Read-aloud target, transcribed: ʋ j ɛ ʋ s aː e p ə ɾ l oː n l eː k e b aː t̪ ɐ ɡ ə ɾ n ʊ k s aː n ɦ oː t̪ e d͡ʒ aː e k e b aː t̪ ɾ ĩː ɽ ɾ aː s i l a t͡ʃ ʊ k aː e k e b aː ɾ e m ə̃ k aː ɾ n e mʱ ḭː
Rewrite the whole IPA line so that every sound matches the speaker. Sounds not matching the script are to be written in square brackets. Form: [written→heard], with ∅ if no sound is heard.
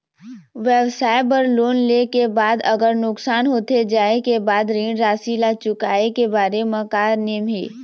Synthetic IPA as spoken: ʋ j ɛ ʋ s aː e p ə ɾ l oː n l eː k e b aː [t̪→d̪] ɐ ɡ ə ɾ n ʊ k s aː n ɦ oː t̪ e d͡ʒ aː e k e b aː [t̪→d̪] ɾ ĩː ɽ ɾ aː s i l a t͡ʃ ʊ k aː e k e b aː ɾ e m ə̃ k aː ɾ n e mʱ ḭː